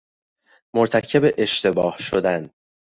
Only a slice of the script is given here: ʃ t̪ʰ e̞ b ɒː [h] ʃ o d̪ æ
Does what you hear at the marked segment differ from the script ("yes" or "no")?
no